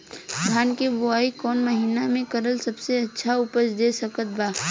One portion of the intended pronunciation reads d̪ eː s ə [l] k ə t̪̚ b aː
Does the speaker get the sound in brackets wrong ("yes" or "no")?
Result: yes